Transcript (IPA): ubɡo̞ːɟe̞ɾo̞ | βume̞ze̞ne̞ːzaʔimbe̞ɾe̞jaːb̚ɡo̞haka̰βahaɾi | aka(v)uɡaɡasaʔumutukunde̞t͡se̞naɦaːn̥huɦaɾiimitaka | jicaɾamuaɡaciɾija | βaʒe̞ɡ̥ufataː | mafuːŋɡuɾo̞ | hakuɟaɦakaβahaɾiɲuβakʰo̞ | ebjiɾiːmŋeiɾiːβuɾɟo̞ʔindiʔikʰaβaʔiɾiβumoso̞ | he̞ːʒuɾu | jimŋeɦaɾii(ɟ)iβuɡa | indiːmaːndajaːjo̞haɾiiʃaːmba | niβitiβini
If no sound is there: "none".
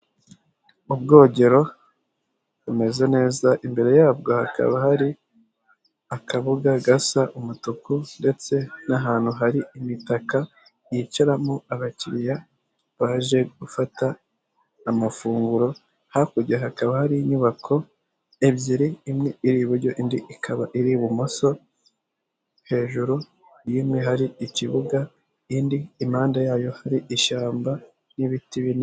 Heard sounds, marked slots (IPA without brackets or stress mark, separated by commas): β, c